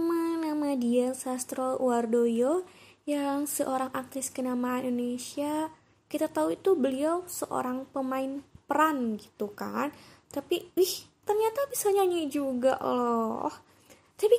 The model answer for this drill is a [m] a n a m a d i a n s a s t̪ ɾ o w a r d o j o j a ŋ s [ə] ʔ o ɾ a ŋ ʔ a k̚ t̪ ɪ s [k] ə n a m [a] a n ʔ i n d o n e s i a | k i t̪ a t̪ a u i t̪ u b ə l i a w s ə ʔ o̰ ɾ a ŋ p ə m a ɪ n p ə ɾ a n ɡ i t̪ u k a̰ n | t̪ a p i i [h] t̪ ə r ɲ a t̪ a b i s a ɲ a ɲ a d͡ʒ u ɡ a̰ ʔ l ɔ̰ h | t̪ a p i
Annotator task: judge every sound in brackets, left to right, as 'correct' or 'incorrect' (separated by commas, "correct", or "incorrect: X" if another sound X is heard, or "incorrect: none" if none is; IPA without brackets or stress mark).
correct, correct, correct, correct, correct